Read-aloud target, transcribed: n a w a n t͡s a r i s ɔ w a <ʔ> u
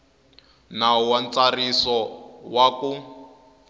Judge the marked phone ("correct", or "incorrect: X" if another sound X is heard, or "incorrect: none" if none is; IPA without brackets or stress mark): incorrect: k